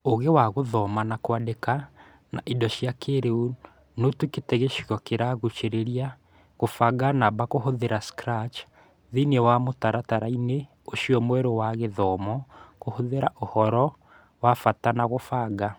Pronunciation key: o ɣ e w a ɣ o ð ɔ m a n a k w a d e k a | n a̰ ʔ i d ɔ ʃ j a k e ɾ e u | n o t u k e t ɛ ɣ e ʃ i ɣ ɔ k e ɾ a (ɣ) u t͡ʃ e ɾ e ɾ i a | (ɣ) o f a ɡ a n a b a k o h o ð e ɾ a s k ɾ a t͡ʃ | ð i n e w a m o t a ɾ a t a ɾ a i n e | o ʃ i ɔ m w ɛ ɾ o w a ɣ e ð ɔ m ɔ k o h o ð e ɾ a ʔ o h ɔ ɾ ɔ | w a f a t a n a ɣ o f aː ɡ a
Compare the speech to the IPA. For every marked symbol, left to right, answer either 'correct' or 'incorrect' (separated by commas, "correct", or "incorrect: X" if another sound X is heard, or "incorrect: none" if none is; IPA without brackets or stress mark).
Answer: correct, correct